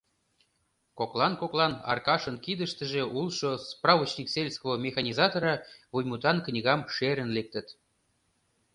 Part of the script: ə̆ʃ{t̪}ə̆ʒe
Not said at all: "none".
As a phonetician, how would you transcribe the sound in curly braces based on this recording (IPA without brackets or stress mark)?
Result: t̪